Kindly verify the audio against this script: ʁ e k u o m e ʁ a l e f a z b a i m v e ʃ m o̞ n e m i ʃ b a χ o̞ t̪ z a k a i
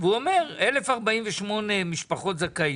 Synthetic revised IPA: v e u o m e ʁ e l e f a ʁ b a i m v e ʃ m o̞ n e m i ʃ p a χ o̞ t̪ z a k a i

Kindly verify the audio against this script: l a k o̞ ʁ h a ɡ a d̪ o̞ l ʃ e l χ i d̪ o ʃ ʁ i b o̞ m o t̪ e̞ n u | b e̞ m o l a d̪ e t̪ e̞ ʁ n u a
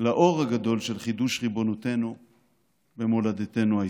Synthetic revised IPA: l a ʔ o̞ ʁ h a ɡ a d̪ o̞ l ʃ e l χ i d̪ u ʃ ʁ i b o̞ n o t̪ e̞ n u | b e̞ m o l a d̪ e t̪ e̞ n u a

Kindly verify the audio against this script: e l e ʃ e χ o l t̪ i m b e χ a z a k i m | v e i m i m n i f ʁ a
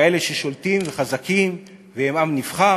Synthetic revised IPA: e l e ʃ e ʃ o l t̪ i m v e χ a z a k i m | v e e m a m n i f χ a

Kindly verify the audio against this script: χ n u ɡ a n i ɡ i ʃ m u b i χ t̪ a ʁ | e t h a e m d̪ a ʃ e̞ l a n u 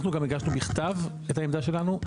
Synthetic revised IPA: χ n u ɡ a m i ɡ a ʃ n u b i χ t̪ a v | e t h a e m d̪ a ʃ e̞ l a n u

